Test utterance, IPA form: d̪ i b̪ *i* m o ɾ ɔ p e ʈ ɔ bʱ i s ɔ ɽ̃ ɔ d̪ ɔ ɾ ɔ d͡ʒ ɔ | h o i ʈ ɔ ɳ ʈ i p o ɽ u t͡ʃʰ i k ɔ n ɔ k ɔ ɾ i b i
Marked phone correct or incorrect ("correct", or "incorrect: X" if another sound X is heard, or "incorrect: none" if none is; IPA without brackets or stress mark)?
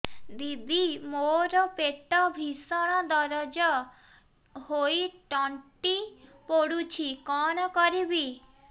correct